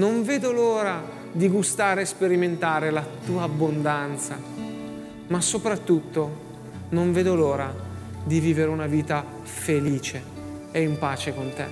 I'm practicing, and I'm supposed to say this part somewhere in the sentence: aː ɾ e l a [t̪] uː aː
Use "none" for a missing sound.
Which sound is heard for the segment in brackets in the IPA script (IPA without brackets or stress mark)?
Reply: t̪